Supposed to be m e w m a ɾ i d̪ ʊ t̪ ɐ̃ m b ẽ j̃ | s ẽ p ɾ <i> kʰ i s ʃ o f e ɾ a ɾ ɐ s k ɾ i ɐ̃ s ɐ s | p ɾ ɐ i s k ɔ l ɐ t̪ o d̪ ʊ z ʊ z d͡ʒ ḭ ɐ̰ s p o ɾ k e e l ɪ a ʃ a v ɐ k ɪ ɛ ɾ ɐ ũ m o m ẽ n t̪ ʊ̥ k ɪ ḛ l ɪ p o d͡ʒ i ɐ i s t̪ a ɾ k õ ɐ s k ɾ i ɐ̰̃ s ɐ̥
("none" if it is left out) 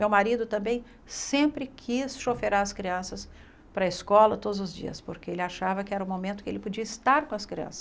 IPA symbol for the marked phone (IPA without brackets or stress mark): ɪ